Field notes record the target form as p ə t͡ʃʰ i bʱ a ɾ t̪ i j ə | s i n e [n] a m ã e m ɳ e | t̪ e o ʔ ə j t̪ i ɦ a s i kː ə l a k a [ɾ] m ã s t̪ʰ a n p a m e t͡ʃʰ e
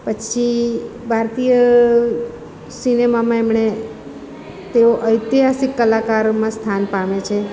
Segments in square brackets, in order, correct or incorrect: incorrect, correct

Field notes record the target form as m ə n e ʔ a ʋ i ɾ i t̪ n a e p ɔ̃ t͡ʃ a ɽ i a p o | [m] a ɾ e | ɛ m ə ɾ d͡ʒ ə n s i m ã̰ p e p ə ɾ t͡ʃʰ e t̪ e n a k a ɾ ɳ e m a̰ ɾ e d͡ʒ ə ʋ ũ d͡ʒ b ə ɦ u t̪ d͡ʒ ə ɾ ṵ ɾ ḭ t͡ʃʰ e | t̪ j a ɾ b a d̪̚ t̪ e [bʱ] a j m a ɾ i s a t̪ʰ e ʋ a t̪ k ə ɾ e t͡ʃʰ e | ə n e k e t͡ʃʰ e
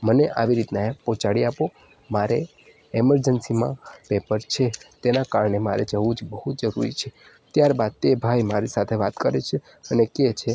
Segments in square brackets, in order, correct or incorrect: correct, correct

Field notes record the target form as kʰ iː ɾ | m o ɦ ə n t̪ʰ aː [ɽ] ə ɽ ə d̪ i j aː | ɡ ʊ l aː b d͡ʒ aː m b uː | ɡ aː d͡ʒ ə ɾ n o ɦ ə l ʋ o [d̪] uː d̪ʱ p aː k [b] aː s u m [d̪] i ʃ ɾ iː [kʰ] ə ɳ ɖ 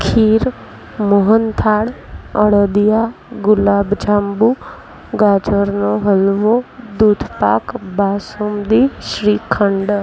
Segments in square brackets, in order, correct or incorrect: correct, correct, correct, correct, correct

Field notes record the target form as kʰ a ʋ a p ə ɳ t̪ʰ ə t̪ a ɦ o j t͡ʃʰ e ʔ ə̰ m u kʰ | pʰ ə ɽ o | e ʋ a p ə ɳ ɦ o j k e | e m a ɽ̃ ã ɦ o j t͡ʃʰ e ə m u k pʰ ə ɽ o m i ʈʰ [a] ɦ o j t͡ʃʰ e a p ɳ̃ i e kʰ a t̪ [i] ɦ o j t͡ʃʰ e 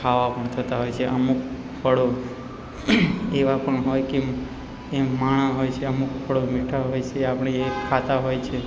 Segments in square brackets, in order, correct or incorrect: correct, incorrect

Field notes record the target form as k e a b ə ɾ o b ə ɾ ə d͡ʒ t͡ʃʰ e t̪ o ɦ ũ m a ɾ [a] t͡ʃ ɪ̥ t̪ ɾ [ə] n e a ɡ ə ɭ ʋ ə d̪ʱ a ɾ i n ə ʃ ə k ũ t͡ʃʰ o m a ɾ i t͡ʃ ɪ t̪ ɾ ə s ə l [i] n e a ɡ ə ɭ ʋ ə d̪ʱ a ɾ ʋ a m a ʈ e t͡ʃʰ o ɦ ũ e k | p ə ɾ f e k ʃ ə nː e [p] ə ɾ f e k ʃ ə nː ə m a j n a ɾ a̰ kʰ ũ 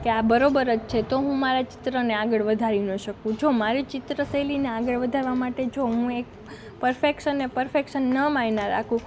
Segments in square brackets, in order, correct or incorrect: correct, correct, correct, correct

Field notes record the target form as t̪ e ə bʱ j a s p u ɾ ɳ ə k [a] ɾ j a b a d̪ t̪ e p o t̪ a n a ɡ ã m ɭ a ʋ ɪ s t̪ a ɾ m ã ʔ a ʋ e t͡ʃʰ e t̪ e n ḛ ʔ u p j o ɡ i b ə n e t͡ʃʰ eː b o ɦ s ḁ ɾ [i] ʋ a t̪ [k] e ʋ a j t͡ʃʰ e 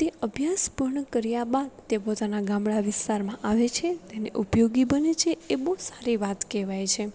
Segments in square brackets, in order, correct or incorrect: incorrect, correct, correct

